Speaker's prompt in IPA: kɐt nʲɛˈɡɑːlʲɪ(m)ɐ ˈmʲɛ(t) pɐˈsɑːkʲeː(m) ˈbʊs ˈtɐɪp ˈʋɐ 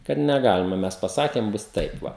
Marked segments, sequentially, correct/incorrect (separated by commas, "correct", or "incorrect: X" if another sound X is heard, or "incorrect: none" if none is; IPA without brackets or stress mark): correct, incorrect: s, correct